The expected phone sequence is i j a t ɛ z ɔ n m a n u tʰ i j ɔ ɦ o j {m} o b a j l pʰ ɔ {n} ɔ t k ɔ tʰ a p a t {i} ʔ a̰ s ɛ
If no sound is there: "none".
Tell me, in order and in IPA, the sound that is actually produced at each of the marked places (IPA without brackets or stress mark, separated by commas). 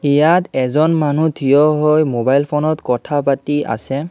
m, n, i